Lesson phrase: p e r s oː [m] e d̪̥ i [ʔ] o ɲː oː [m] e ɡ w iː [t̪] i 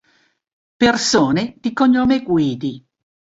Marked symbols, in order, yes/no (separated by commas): no, no, yes, no